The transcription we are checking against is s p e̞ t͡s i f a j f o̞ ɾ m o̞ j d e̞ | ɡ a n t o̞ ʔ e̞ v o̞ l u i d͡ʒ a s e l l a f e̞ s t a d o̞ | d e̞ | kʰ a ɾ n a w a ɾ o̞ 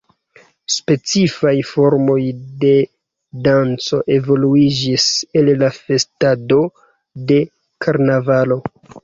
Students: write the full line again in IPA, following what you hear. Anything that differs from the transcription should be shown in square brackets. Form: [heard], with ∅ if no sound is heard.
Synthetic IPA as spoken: s p e̞ t͡s i f a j f o̞ ɾ m o̞ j d e̞ | [d] a n [t͡s] o̞ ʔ e̞ v o̞ l u i d͡ʒ [i] s e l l a f e̞ s t a d o̞ | d e̞ | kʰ a ɾ n a [v] a [l] o̞